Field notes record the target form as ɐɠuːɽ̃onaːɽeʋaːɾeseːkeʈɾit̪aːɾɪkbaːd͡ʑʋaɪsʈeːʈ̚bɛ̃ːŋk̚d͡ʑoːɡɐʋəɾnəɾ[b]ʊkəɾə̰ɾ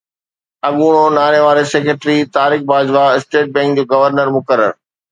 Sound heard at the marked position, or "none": m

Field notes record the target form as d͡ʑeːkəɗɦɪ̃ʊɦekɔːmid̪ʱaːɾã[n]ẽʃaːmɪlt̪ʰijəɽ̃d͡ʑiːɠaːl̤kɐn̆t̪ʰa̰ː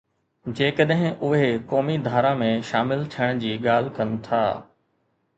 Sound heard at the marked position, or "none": m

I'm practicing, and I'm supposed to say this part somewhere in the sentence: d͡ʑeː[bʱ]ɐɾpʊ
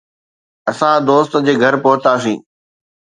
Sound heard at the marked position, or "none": ɡʱ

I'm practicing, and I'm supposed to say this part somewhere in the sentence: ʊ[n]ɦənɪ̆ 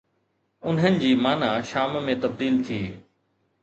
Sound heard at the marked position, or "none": n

